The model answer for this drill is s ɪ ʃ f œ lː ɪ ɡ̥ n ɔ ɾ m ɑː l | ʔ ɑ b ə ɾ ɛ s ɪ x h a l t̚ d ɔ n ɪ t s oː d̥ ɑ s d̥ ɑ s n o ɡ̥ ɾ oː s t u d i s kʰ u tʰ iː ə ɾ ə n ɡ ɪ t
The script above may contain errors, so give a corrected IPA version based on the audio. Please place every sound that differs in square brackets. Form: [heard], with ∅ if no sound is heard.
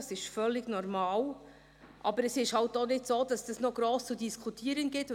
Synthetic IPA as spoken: s ɪ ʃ f œ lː ɪ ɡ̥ n ɔ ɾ m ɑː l | ʔ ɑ b ə ɾ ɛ s ɪ [ʃ] h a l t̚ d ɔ n ɪ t s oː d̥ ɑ s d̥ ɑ s n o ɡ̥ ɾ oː s [t͡s] u d i s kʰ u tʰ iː ə ɾ ə n ɡ ɪ t